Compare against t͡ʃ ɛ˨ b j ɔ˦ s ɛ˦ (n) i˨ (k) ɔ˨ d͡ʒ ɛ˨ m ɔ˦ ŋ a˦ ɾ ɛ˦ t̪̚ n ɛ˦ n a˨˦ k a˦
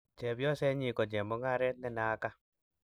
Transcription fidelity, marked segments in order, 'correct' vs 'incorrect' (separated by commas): incorrect, correct